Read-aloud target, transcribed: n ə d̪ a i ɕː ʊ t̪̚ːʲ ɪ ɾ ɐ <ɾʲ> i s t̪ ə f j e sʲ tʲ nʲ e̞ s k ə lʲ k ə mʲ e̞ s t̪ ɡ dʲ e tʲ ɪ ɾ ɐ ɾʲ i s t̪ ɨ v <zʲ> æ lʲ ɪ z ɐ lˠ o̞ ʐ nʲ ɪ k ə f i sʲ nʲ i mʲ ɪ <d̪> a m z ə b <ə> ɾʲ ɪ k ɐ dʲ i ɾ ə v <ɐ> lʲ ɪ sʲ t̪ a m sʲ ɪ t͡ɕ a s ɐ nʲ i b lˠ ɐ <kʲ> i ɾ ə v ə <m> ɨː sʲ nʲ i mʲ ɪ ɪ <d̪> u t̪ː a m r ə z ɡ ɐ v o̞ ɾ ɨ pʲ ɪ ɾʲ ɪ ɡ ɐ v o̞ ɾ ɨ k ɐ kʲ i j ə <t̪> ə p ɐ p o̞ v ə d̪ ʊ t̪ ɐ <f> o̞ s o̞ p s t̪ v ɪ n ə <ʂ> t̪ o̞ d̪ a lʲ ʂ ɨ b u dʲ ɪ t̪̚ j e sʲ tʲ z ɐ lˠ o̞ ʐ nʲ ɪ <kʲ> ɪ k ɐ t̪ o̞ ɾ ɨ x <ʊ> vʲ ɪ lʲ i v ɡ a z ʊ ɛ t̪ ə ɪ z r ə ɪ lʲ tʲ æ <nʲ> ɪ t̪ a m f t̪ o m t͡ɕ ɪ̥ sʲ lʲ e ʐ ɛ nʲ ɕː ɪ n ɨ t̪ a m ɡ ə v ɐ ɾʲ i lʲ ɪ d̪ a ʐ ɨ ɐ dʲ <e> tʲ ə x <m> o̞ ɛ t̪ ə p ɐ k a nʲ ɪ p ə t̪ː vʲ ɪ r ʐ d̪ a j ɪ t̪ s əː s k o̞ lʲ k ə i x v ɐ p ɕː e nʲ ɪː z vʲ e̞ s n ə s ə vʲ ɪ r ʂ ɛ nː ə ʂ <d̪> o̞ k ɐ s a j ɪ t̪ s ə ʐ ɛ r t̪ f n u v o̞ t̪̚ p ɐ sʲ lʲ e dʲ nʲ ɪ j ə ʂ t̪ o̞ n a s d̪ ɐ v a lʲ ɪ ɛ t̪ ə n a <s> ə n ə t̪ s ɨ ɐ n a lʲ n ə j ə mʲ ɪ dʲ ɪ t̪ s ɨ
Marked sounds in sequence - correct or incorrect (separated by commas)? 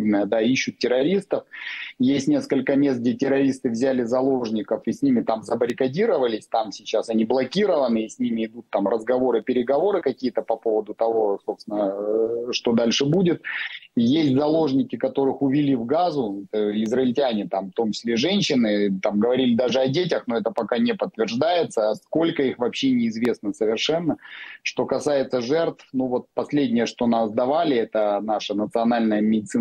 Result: correct, correct, incorrect, correct, incorrect, correct, incorrect, correct, correct, incorrect, correct, correct, correct, correct, correct, incorrect, incorrect, incorrect